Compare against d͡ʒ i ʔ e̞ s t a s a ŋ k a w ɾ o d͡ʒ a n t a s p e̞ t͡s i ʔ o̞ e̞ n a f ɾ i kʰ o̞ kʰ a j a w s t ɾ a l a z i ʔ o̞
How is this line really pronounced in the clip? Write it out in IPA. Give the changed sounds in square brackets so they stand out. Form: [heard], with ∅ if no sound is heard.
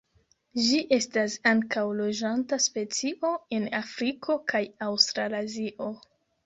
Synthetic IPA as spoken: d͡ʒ i ʔ e̞ s t a s a ŋ k a w [l] o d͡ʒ a n t a s p e̞ t͡s i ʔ o̞ e̞ n a f ɾ i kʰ o̞ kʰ a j a w s t ɾ a l a z i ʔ o̞